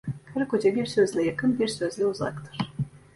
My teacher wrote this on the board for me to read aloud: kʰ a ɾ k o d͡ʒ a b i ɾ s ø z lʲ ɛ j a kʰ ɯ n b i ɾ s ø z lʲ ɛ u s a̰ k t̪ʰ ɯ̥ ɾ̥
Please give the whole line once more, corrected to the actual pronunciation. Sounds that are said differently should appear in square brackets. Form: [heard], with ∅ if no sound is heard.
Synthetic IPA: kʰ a ɾ k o d͡ʒ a b i ɾ s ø z lʲ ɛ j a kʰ ɯ n b i ɾ s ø z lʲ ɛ u [z] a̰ k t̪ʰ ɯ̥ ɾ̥